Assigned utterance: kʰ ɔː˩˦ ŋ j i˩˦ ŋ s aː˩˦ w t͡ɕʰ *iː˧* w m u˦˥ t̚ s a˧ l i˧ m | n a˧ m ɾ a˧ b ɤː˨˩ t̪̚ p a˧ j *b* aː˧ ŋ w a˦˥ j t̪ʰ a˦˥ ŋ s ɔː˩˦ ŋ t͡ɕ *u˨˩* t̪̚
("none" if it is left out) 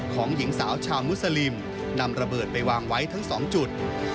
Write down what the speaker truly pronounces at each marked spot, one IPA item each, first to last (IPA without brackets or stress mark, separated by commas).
aː˧, w, u˨˩